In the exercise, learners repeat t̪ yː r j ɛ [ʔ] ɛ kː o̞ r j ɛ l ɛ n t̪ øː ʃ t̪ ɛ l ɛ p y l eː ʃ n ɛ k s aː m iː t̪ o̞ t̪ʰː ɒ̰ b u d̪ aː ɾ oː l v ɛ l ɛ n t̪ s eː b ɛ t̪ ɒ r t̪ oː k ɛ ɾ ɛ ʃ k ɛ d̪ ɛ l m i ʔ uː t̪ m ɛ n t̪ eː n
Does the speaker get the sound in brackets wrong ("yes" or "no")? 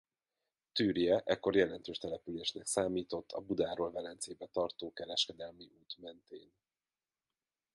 no